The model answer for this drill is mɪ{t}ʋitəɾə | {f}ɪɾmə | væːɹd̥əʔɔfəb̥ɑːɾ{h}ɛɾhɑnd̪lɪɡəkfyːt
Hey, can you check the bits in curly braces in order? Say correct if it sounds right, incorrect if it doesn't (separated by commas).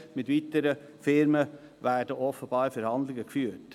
correct, correct, incorrect